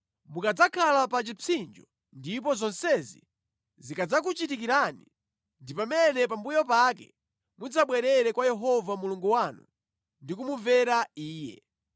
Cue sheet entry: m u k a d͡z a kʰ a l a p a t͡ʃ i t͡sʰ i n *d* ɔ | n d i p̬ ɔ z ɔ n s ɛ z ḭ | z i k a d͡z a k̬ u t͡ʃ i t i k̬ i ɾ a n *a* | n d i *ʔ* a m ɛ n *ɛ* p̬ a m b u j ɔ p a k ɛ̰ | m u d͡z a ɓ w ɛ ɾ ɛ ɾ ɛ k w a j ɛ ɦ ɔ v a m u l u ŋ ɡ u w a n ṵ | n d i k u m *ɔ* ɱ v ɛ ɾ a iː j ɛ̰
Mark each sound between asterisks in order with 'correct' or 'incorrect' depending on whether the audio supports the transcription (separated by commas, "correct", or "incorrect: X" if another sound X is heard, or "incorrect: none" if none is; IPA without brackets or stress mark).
incorrect: d͡ʒ, incorrect: i, incorrect: p, correct, incorrect: u